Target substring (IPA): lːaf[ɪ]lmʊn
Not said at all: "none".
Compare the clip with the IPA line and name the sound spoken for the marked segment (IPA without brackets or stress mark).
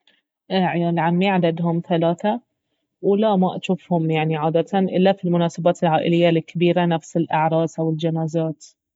i